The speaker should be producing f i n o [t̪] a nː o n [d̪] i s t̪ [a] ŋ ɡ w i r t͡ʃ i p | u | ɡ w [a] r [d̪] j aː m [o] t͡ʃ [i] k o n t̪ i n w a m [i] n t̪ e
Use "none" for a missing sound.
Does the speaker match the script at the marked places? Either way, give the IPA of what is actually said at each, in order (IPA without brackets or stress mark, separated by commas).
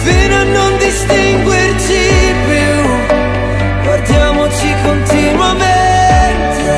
none, d̪, i, a, d̪, o, i, e